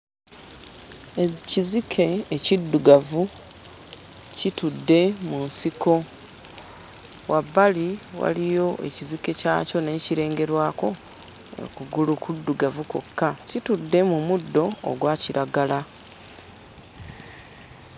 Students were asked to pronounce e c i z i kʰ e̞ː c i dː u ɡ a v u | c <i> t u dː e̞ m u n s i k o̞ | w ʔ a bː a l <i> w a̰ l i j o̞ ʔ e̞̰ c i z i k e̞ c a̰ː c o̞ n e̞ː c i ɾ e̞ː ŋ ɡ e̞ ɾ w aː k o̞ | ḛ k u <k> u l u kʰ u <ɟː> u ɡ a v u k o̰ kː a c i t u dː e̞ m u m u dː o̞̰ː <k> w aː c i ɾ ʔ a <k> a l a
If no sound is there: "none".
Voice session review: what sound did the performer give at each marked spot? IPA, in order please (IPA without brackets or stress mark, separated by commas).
i, i, ɡ, dː, ɡ, ɡ